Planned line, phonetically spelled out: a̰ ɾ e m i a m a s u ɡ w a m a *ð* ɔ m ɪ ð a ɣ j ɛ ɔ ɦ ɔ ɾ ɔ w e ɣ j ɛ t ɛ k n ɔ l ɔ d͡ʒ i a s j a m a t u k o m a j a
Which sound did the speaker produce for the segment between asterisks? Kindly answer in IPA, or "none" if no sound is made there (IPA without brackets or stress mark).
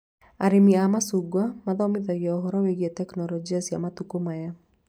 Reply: ð